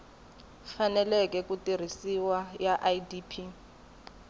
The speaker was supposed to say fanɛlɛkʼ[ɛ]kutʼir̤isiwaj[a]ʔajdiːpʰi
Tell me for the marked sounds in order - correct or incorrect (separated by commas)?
correct, correct